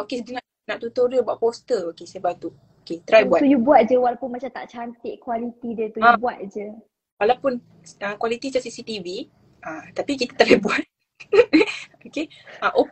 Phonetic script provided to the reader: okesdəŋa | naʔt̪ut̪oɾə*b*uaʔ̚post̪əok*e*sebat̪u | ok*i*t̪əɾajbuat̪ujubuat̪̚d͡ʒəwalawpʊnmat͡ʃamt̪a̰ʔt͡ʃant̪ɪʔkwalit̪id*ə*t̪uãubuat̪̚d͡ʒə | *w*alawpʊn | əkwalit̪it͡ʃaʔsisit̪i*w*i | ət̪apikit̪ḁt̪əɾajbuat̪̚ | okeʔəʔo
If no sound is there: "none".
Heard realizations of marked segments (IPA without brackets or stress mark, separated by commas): b, e, e, ə, w, v